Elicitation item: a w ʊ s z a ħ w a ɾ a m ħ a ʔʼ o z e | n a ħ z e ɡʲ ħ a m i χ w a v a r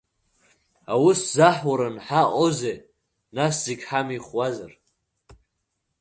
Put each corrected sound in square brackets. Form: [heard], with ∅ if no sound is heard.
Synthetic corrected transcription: a w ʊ s z a ħ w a ɾ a [n] ħ a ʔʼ o z e | n a [s] z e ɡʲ ħ a m i χ w a [z] a r